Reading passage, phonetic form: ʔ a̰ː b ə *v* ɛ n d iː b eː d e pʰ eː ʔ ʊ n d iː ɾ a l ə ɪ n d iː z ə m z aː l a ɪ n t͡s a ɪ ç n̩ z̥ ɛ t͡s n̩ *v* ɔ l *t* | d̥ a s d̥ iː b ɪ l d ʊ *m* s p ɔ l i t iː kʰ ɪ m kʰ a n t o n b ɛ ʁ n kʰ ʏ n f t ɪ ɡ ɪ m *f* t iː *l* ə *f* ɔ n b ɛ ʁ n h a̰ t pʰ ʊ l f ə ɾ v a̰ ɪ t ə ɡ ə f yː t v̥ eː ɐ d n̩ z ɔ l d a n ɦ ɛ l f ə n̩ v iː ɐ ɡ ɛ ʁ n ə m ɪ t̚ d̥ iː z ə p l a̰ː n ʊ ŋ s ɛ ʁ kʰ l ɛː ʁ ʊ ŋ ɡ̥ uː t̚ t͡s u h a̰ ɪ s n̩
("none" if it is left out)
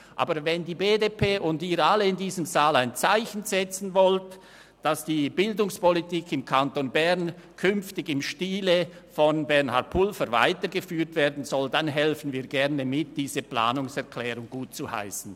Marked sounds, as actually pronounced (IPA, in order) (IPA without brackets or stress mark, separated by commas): v, v, t, ŋ, ʃ, l, f